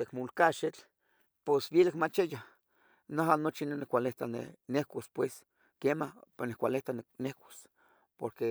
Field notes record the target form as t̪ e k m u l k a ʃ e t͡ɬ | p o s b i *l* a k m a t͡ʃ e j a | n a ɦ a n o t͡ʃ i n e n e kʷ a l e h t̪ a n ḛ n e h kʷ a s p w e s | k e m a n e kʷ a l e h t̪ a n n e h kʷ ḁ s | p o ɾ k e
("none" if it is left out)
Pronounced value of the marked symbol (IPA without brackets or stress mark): l